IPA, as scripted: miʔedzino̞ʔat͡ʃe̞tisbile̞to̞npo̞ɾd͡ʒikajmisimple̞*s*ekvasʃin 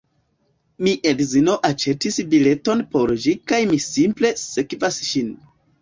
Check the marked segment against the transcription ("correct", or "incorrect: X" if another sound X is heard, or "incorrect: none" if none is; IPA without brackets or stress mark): correct